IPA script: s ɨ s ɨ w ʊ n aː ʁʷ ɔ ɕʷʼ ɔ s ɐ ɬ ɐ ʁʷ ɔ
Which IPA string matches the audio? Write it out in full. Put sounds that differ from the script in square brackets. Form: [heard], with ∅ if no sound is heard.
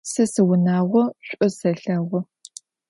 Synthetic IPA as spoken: s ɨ s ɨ w ʊ n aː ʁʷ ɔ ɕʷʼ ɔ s ɐ ɬ ɐ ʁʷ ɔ